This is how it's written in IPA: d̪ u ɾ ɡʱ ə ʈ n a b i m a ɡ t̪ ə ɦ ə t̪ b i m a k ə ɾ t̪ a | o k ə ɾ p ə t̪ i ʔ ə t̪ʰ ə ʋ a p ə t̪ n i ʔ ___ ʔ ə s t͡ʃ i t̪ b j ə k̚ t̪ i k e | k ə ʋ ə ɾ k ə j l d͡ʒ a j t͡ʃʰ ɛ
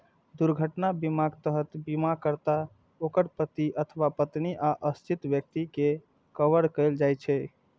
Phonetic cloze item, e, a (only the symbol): a